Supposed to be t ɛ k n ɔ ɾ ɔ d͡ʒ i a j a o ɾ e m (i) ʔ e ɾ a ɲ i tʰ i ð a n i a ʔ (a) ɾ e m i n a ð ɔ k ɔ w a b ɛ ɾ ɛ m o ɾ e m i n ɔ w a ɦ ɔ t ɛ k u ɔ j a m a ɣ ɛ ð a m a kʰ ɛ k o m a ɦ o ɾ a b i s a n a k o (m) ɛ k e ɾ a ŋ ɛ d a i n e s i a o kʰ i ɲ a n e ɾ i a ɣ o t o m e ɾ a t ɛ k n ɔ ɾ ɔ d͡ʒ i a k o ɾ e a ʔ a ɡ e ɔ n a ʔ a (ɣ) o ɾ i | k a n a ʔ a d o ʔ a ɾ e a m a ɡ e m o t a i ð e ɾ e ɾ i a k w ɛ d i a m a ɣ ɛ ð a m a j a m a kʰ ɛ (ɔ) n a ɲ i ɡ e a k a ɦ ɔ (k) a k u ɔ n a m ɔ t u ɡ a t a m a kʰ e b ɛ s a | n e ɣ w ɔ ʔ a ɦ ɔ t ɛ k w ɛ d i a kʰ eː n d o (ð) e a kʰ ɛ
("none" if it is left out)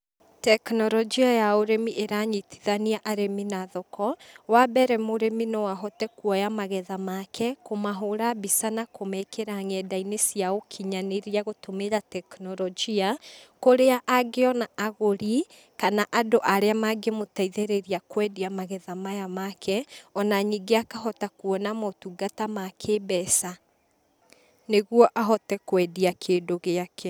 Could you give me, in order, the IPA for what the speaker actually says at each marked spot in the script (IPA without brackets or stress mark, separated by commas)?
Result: i, a, m, ɣ, ɔ, t, ɣ